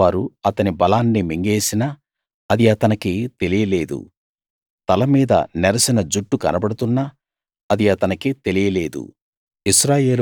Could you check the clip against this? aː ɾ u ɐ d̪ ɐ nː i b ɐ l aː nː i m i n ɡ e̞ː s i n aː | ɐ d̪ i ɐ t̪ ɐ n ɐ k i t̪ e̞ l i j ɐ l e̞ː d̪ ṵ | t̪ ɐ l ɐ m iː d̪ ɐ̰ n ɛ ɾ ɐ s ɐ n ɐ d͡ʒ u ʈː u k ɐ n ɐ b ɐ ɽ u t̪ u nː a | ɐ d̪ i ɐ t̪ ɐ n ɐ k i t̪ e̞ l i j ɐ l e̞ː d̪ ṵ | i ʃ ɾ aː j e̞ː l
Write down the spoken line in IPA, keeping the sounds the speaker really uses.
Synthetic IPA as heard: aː ɾ u ɐ t̪ ɐ n i b ɐ l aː nː i m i ŋ ɡ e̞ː s i n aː | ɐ d̪ i ɐ t̪ ɐ n ɐ k i t̪ e̞ l i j ɐ l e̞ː d̪ ṵ | t̪ ɐ l ɐ m iː d̪ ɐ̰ n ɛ ɾ ɐ s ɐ n ɐ d͡ʒ u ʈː u k ɐ n ɐ b ɐ ɽ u t̪ u nː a | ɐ d̪ i ɐ t̪ ɐ n ɐ k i t̪ e̞ l i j ɐ l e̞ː d̪ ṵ | i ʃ ɾ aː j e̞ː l